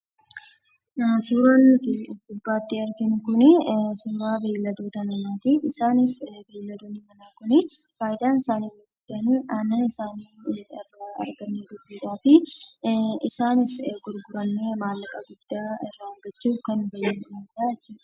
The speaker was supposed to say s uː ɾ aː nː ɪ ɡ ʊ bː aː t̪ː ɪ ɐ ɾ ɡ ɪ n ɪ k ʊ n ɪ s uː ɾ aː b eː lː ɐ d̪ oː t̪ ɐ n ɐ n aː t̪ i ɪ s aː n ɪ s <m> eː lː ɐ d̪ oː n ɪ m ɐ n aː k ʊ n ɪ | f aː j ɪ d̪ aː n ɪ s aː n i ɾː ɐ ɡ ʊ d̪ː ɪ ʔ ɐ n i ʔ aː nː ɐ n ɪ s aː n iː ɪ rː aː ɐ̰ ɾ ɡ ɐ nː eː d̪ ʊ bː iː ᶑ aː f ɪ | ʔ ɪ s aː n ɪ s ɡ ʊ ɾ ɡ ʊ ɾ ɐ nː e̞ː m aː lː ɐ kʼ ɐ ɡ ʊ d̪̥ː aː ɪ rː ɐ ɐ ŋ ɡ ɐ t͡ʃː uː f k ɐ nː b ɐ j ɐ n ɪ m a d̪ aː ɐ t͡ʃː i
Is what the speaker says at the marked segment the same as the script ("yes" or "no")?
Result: no